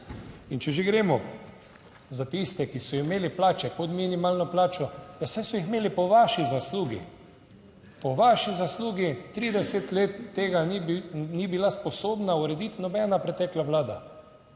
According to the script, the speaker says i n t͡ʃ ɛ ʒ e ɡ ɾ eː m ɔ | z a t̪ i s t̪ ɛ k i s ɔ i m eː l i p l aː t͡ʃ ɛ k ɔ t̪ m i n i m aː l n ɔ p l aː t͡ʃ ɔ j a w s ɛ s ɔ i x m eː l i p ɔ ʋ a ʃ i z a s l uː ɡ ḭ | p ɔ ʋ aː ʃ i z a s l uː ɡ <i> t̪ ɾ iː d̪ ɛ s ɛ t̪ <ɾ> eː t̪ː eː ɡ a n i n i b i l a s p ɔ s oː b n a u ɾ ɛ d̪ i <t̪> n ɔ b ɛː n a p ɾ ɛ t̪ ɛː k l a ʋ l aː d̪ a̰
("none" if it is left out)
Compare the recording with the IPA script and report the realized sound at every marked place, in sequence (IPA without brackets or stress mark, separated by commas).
i, l, t̪